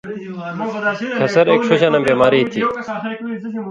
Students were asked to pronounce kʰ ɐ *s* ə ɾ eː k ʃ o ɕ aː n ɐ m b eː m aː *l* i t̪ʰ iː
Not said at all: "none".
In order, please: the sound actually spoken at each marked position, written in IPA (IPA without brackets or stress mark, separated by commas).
s, ɾ